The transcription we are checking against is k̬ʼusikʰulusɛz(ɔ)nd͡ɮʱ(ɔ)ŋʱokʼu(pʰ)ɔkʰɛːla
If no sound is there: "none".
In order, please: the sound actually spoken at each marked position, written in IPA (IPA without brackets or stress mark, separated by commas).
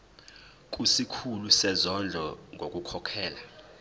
ɔ, ɔ, kʰ